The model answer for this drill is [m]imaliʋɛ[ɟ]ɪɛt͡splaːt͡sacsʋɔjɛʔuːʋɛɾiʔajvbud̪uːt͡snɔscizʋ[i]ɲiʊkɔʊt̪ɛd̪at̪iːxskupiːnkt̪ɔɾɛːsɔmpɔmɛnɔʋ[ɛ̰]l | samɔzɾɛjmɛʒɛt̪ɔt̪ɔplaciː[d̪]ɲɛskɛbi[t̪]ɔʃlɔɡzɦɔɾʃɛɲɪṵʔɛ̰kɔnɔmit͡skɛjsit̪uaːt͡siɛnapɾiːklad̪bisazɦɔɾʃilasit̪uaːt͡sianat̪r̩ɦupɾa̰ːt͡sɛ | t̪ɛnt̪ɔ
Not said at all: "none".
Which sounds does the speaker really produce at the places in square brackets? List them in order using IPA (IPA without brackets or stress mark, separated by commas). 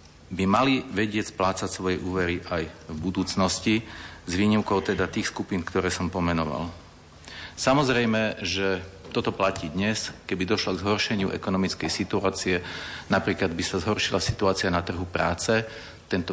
b, ɟ, iː, a̰, d̪, d̪